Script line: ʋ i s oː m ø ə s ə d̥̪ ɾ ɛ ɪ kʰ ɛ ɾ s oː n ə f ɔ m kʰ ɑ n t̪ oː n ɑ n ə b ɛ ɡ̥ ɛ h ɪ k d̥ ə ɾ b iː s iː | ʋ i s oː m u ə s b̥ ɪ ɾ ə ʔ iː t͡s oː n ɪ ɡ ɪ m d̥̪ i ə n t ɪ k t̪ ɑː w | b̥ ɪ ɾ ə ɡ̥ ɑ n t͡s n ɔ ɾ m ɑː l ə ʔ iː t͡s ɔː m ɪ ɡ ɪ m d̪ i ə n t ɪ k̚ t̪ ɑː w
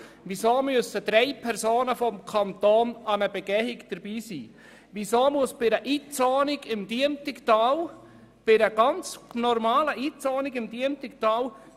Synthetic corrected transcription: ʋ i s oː m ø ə s ə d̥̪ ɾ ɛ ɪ pʰ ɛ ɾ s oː n ə f ɔ m kʰ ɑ n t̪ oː n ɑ n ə b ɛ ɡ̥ ɛ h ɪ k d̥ ə ɾ b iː s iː | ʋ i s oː m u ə s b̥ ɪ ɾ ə ʔ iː t͡s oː n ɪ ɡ ɪ m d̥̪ i ə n t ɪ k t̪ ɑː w | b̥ ɪ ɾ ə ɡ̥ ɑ n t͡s n ɔ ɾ m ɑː l ə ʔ iː t͡s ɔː n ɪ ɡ ɪ m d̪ i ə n t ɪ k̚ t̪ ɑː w